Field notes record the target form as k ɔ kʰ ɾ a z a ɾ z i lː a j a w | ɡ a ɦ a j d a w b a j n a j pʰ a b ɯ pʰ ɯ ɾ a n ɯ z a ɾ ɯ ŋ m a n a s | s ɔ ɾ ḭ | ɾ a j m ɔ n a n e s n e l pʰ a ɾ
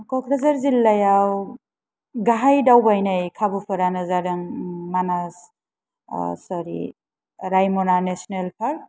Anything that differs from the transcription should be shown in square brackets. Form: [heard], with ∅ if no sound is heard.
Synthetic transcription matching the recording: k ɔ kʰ ɾ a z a ɾ z i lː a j a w | ɡ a ɦ a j d a w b a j n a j [kʰ] a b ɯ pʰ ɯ ɾ a n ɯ z a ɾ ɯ ŋ m a n a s | s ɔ ɾ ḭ | ɾ a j m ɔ n a n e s n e l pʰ a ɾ